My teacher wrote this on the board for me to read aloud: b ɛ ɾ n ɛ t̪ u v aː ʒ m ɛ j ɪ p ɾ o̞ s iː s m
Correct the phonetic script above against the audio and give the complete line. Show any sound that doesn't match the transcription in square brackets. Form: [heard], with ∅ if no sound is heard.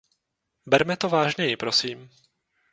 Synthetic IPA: b ɛ ɾ [m] ɛ t̪ [o] v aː ʒ [ɲ] ɛ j ɪ p ɾ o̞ s iː [∅] m